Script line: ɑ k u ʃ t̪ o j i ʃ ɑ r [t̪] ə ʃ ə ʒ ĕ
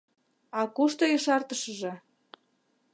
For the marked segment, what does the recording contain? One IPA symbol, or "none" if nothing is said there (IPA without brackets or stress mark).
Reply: t̪